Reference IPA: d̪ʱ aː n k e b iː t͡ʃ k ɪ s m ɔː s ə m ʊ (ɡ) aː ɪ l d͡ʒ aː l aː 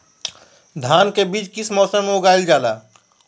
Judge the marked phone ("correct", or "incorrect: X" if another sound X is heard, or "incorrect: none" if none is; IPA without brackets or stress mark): correct